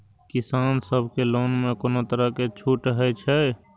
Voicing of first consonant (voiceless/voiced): voiceless